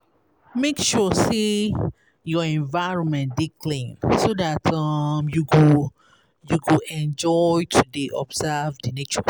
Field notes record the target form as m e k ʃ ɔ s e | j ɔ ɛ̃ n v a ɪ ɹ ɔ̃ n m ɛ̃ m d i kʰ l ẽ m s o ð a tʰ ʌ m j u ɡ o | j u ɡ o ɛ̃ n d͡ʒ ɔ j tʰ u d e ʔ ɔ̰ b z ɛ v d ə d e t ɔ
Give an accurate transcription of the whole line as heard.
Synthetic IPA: m e k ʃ ɔ s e | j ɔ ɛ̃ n v a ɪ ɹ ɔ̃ n m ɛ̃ n d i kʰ l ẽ n s o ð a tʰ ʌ m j u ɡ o | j u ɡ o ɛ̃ n d͡ʒ ɔ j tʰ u d e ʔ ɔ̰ b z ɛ v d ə n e t͡ʃ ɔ

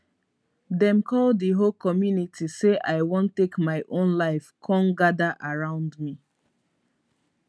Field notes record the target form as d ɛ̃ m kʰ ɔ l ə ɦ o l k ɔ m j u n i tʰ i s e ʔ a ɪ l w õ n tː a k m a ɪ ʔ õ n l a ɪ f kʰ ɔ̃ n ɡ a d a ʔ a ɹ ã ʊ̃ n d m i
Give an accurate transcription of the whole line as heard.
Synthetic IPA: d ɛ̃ m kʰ ɔ l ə ɦ o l k ɔ m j u n i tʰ i s e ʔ a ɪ w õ n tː e k m a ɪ ʔ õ n l a ɪ f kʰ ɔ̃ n ɡ a d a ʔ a ɹ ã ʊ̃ n d m i

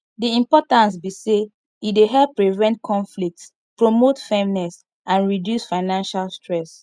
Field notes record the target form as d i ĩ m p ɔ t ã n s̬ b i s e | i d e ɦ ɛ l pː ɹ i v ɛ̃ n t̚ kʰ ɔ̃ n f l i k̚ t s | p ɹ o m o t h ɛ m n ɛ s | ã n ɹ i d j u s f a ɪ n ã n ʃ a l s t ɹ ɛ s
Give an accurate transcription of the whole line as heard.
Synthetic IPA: d i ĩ m p ɔ t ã n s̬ b i s e | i d e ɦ ɛ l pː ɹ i v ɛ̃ n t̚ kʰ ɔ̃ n f l i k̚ t s | p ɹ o m o t f ɛ m n ɛ s | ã n ɹ i d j u s f a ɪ n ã n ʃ a l s t ɹ ɛ s

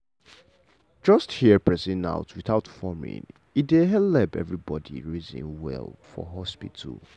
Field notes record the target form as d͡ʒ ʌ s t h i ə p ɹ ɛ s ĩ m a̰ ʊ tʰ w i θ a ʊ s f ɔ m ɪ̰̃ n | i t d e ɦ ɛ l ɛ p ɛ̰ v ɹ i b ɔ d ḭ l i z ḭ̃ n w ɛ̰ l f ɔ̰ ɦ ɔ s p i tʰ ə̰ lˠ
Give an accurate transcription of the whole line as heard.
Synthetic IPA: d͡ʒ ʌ s t h i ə p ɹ ɛ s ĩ n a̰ ʊ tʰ w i θ a ʊ t f ɔ m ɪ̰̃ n | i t d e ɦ ɛ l ɛ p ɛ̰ v ɹ i b ɔ d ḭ ɹ i z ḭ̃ n w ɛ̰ l f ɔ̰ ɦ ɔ s p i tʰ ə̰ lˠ

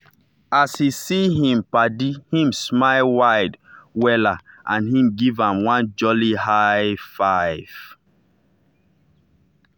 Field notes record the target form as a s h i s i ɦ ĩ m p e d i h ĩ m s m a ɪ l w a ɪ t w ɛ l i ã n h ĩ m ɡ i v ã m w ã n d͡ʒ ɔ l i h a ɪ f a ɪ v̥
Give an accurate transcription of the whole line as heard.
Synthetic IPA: a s h i s i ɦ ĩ m p a d i h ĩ m s m a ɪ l w a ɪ d w ɛ l a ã n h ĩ m ɡ i v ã m w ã n d͡ʒ ɔ l i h a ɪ f a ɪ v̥

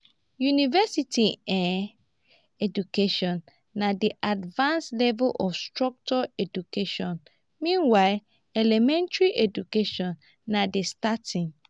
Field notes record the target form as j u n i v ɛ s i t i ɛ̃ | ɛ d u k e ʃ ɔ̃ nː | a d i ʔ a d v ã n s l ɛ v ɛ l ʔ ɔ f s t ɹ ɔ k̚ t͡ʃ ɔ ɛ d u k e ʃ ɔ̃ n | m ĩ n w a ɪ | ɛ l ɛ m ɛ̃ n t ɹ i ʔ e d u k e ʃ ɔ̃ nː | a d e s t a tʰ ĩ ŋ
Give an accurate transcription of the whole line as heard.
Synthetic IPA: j u n i v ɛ s i t i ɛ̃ | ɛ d u k e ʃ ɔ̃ nː | a d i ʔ a d v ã n s l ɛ v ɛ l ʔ ɔ f s t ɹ ɔ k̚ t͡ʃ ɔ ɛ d u k e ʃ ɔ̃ n | m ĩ n w a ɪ | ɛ l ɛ m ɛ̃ n t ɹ i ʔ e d u k e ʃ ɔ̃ nː | a d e s t a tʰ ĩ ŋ

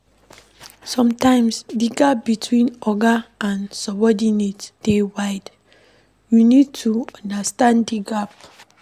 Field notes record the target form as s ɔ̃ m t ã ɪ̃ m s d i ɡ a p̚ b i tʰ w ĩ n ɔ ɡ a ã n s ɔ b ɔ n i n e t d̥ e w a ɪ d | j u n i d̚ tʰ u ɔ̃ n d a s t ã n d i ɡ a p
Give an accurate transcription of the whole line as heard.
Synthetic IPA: s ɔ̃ m t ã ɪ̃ m s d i ɡ a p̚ b i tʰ w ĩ n ɔ ɡ a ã n s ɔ b ɔ d i n e t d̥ e w a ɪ d | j u n i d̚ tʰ u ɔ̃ n d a s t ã n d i ɡ a p

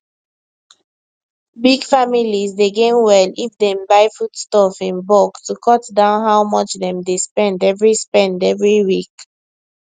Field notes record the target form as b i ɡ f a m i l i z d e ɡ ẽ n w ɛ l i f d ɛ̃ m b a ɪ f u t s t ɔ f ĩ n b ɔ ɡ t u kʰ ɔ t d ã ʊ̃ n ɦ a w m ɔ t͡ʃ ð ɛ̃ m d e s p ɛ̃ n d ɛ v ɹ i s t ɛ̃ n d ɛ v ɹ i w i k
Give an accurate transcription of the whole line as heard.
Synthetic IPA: b i ɡ f a m i l i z d e ɡ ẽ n w ɛ l i f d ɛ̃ m b a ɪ f u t s t ɔ f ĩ n b ɔ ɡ t u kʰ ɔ t d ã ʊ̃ n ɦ a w m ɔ t͡ʃ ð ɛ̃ m d e s p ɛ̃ n d ɛ v ɹ i s p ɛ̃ n d ɛ v ɹ i w i k

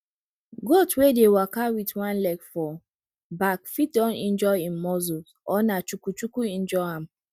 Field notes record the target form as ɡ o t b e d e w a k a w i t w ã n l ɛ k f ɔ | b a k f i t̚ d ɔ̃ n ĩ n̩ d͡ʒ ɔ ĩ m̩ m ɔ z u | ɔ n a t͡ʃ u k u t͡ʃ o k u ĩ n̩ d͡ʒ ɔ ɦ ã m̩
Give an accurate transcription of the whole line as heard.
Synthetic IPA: ɡ o t w e d e w a k a w i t w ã n l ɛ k f ɔ | b a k f i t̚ d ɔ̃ n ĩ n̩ d͡ʒ ɔ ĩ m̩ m ɔ z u | ɔ n a t͡ʃ u k u t͡ʃ u k u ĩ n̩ d͡ʒ ɔ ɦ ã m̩

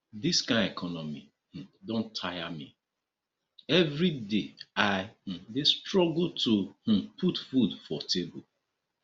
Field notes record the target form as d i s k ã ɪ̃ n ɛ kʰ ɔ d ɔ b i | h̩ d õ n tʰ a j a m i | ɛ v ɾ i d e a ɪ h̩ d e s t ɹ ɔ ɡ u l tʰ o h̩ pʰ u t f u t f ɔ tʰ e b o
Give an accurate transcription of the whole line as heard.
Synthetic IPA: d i s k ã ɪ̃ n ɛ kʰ ɔ n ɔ m i | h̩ d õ n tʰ a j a m i | ɛ v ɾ i d e a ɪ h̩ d e s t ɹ ɔ ɡ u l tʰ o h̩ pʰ u t f u d f ɔ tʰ e b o

